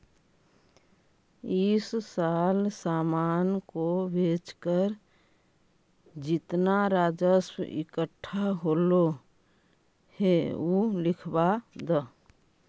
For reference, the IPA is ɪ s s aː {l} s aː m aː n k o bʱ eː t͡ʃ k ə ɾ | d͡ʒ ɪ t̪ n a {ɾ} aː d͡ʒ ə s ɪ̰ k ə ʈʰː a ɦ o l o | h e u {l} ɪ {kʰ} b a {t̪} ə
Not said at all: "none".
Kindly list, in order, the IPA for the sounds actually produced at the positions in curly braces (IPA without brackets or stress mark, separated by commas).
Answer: l, ɾ, l, kʰ, d̪